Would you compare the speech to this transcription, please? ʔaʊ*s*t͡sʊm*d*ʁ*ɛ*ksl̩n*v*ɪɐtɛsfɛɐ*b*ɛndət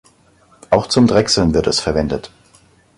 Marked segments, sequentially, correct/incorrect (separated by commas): incorrect, correct, correct, correct, incorrect